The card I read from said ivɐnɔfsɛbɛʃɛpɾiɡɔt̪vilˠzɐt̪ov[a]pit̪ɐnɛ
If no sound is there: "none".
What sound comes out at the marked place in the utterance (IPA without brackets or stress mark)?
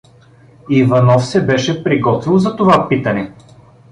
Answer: a